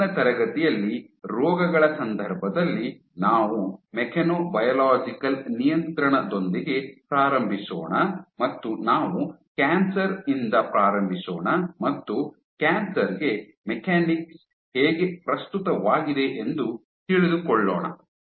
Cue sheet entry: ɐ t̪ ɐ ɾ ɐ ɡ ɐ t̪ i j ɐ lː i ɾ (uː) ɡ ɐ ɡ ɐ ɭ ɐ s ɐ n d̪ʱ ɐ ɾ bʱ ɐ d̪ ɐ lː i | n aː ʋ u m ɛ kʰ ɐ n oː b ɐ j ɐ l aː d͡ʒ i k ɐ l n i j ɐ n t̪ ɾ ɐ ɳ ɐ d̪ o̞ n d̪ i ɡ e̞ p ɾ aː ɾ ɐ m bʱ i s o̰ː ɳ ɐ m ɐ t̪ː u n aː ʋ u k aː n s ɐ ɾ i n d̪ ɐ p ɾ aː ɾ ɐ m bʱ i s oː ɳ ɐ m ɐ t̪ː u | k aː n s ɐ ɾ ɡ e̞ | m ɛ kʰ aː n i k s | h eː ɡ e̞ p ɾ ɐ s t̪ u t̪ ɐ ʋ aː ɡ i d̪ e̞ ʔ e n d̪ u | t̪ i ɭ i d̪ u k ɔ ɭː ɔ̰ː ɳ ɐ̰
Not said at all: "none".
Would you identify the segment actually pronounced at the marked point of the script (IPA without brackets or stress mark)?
ɔː